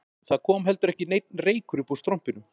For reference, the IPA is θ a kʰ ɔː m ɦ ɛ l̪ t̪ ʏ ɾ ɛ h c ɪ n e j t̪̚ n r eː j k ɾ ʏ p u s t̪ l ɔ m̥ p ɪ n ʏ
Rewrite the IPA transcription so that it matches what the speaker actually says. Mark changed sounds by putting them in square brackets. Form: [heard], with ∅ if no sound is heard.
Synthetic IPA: θ a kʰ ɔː m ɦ ɛ l̪ t̪ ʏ ɾ ɛ h c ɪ n e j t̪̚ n r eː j k ɾ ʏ p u s t̪ [ɾ] ɔ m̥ p ɪ n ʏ